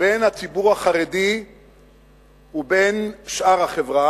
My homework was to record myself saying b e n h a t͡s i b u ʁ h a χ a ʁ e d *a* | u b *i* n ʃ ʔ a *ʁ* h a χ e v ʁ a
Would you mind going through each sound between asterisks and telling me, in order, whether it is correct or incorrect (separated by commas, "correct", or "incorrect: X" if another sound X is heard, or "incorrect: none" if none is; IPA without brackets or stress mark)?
incorrect: i, incorrect: e, correct